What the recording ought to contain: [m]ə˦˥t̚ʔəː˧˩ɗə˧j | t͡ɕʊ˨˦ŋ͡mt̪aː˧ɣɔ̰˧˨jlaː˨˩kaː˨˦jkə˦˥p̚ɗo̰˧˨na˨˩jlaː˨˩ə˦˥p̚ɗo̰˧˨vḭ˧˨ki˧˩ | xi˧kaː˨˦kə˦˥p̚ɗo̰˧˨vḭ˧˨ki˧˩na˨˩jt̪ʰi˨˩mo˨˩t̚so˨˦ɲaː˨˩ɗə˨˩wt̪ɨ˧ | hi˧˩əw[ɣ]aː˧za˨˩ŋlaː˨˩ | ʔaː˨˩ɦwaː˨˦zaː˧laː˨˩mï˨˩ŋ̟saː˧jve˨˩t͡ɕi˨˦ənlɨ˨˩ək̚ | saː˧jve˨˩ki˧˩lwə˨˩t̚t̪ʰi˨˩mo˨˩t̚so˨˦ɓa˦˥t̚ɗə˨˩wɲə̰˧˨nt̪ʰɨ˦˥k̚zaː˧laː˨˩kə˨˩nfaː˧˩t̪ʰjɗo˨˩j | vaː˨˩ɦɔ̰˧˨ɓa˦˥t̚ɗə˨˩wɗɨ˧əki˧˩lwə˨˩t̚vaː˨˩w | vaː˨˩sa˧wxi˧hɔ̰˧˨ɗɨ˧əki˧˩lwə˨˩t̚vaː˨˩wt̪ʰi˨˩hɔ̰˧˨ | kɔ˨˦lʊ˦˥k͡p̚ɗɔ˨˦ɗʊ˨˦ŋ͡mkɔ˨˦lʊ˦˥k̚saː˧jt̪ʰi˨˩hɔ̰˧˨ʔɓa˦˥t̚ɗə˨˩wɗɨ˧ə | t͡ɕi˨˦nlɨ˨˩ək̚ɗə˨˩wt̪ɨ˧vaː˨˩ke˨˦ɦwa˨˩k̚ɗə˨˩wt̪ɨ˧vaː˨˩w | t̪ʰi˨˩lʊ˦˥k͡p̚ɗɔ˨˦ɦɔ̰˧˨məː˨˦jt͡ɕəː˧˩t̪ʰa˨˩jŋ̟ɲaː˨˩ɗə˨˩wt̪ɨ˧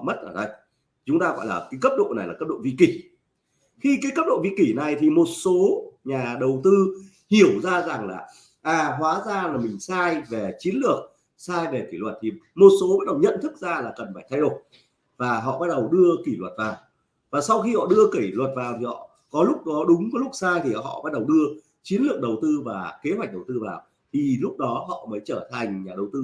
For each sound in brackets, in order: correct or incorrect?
correct, incorrect: z

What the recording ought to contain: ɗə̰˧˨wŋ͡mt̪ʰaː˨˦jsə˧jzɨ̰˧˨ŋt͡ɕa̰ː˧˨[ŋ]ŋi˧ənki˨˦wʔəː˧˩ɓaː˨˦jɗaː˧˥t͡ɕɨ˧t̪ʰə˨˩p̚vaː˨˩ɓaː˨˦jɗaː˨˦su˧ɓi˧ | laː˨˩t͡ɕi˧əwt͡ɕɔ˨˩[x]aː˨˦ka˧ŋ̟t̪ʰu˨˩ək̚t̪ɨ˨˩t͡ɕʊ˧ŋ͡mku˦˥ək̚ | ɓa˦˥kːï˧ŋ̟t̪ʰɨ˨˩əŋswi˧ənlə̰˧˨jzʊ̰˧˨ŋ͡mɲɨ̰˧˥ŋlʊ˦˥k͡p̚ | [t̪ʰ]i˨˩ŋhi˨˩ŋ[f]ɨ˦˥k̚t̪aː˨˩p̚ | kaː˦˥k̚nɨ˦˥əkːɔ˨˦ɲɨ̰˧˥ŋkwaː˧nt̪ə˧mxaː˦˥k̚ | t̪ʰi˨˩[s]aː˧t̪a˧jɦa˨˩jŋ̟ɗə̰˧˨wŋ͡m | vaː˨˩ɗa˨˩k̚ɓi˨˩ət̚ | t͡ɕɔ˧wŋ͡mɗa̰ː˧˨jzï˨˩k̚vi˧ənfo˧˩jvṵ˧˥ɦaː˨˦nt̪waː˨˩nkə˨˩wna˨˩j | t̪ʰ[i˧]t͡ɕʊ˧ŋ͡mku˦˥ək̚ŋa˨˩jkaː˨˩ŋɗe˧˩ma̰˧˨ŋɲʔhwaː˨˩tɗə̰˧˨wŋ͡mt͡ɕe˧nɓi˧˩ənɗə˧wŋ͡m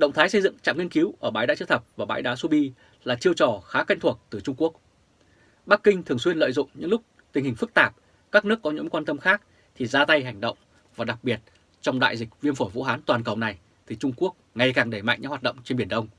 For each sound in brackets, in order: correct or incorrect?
incorrect: m, correct, incorrect: t̪, correct, incorrect: z, incorrect: i˨˩

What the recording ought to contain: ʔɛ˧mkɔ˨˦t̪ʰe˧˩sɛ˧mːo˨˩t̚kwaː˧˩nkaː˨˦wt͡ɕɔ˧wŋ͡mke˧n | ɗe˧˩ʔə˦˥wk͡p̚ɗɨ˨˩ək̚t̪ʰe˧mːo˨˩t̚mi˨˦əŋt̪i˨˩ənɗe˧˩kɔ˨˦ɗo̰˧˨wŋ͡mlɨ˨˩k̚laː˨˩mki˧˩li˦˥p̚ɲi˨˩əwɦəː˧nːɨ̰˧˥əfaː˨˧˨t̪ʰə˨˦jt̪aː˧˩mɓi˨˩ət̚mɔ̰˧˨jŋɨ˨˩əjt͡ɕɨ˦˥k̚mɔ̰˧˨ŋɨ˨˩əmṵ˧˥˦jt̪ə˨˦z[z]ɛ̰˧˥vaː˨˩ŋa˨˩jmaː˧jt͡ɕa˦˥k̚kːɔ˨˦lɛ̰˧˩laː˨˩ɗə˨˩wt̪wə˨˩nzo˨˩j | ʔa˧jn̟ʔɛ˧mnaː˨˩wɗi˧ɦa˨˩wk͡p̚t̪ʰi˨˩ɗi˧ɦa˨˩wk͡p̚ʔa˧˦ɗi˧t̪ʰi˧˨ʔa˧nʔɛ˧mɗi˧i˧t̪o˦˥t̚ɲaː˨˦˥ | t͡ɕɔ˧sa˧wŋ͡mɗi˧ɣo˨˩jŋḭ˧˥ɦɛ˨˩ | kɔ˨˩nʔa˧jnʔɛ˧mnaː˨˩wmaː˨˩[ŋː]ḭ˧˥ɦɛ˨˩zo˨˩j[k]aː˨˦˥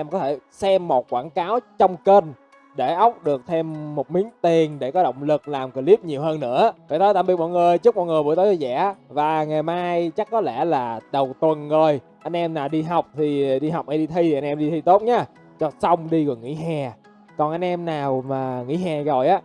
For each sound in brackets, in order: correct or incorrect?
correct, incorrect: ŋ, incorrect: ʔ

